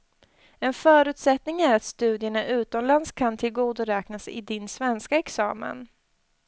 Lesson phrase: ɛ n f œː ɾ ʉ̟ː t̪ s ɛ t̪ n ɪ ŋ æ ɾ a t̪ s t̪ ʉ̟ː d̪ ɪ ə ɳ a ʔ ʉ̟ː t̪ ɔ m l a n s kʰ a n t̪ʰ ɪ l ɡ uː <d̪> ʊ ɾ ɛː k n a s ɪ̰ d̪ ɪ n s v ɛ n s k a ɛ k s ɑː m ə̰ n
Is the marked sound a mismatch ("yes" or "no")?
no